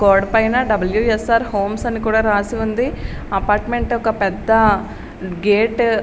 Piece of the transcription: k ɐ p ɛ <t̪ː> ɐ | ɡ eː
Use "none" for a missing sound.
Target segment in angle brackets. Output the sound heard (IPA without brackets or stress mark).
d̪ː